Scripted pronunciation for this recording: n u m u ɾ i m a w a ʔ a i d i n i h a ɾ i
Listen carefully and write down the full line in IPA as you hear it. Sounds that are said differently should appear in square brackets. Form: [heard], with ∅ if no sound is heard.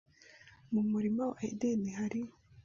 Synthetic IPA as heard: [m] u m u ɾ i m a w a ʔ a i d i n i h a ɾ i